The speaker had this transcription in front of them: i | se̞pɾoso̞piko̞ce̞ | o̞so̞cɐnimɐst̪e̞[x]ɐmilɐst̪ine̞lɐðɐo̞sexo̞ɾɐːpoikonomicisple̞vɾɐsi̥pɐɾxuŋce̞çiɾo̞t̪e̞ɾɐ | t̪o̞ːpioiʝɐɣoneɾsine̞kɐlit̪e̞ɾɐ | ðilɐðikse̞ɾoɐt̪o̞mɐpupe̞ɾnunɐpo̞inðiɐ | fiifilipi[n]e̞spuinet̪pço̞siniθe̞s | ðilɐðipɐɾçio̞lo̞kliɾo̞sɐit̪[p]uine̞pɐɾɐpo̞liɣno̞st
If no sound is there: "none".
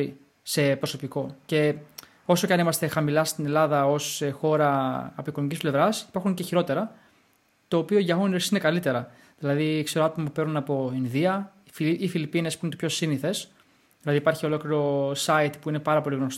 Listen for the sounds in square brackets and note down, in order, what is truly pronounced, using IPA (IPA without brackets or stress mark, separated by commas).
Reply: x, n, p